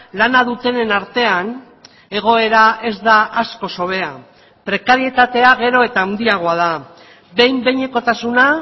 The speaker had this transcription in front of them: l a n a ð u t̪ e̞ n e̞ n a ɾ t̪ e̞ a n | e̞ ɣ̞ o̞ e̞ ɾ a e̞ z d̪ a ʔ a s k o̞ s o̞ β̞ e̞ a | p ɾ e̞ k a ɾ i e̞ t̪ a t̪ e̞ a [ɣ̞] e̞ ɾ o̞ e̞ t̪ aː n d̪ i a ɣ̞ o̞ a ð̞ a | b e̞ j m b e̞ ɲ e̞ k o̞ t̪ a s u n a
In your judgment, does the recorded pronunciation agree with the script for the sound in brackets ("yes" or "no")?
yes